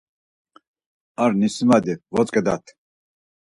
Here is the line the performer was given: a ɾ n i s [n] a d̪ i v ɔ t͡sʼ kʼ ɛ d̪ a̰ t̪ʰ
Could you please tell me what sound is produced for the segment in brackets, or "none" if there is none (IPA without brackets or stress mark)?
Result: m